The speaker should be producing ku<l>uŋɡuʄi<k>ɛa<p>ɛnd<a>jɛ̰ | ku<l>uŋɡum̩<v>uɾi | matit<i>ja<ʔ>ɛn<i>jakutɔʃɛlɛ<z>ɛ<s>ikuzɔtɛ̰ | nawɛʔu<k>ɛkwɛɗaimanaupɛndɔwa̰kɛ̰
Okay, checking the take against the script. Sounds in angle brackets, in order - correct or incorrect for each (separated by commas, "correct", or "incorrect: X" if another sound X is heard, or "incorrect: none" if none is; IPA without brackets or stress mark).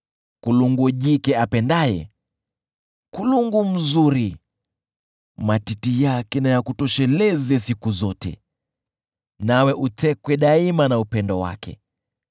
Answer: correct, correct, correct, correct, correct, incorrect: z, correct, incorrect: k, incorrect: a, correct, correct, incorrect: t